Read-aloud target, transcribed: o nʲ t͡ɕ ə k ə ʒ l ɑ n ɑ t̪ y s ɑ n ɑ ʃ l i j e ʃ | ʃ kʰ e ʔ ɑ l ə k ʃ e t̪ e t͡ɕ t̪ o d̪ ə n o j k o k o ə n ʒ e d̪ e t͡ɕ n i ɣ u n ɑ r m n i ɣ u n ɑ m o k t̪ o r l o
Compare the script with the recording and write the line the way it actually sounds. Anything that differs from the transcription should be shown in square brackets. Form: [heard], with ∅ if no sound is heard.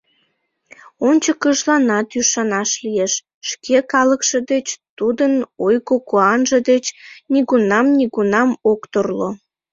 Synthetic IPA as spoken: o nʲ t͡ɕ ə k ə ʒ l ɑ n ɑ t̪ y [ʃ] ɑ n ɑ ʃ l i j e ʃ | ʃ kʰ e [k] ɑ l ə k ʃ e [d̪] e t͡ɕ t̪ [u] d̪ ə n o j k o k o [ɑ] n ʒ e d̪ e t͡ɕ n i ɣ u n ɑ [∅] m n i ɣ u n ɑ m o k t̪ o r l o